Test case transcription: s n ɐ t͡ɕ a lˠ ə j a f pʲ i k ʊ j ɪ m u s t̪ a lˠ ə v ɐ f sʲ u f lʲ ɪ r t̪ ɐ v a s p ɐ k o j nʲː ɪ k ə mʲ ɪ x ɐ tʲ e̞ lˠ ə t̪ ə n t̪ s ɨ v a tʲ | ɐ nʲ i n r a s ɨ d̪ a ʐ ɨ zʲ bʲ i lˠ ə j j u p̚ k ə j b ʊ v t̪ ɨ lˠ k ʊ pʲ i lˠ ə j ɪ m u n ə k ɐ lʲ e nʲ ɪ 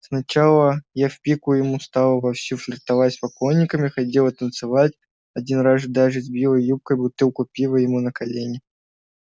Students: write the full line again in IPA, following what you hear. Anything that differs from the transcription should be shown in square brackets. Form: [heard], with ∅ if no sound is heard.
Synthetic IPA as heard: s n ɐ t͡ɕ a lˠ ə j a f pʲ i k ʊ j ɪ m u s t̪ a lˠ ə v ɐ f sʲ u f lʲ ɪ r t̪ ɐ v a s p ɐ k o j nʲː ɪ k ə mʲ ɪ x ɐ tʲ e̞ lˠ ə t̪ ə n t̪ s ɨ v a tʲ | ɐ [dʲ] i n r a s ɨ d̪ a ʐ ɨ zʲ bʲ i lˠ ə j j u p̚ k ə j b ʊ [∅] t̪ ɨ lˠ k ʊ pʲ i lˠ ə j ɪ m u n ə k ɐ lʲ e nʲ ɪ